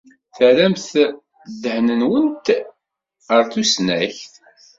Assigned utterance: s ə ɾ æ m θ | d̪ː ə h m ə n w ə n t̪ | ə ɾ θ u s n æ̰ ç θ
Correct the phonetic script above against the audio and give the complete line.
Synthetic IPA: θ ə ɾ æ m θ | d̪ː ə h n ə n w ə n t̪ | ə ɾ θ u s n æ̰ ç θ